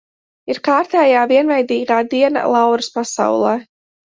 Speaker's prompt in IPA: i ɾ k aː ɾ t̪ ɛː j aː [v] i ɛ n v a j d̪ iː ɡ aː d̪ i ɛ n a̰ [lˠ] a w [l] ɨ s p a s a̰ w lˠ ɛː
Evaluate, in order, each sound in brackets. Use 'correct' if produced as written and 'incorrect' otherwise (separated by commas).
correct, correct, incorrect